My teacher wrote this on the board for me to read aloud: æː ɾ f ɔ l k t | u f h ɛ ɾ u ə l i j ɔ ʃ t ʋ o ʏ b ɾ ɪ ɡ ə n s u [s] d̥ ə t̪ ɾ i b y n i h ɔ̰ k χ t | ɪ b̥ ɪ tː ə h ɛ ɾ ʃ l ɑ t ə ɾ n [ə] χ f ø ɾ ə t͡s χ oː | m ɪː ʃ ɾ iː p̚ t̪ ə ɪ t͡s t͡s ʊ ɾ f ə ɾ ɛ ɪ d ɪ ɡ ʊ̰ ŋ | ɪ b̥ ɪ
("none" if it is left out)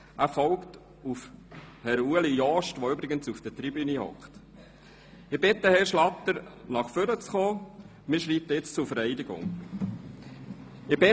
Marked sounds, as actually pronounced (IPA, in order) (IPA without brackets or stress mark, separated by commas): f, ɑ